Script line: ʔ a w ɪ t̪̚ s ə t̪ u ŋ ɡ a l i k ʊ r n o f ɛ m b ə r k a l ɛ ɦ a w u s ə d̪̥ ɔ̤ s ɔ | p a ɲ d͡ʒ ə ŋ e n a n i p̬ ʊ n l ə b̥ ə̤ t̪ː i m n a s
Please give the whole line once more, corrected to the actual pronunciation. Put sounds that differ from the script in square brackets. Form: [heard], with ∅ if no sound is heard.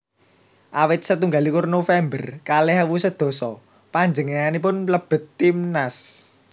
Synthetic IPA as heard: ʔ a w ɪ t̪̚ s ə t̪ u ŋ ɡ a l i k ʊ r n o f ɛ m b ə r k a l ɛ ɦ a w u s ə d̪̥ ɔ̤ s ɔ | p a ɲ d͡ʒ ə ŋ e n a n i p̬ ʊ n l ə b̥ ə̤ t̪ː i m n a s

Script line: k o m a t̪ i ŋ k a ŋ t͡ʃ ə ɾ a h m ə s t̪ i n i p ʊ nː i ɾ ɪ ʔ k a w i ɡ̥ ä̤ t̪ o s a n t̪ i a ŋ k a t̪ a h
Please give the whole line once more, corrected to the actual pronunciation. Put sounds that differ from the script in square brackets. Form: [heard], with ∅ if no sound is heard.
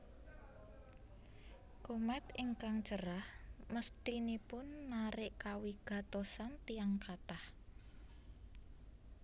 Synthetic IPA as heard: k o m a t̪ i ŋ k a ŋ t͡ʃ ə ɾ a h m ə s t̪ i n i p ʊ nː [a] ɾ ɪ ʔ k a w i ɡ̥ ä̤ t̪ o s a n t̪ i a ŋ k a t̪ a h

